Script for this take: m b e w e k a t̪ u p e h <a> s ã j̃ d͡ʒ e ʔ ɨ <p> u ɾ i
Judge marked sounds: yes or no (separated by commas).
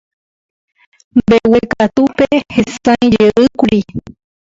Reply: no, no